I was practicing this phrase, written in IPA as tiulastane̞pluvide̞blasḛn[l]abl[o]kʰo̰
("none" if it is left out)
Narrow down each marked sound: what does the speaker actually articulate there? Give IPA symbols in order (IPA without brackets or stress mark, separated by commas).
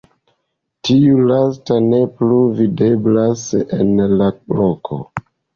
l, o